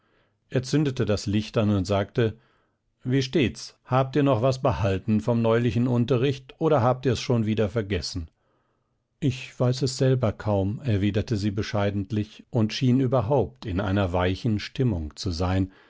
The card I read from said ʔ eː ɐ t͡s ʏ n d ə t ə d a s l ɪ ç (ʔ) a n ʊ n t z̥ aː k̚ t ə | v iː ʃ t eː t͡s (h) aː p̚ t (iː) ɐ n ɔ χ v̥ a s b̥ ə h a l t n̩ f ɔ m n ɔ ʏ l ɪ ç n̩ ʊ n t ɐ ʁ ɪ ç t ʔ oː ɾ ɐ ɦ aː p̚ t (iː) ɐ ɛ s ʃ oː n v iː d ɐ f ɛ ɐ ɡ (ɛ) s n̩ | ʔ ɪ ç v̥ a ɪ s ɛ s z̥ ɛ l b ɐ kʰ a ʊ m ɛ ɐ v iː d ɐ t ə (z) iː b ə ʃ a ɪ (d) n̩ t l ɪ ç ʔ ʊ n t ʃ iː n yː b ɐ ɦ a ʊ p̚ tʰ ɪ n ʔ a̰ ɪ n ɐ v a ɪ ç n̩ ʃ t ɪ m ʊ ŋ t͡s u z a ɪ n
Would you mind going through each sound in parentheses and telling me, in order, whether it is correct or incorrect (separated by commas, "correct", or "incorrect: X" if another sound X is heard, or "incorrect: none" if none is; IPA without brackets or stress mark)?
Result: incorrect: t, correct, correct, correct, correct, correct, correct